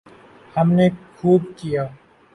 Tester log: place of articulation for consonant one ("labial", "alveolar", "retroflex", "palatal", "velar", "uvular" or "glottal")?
glottal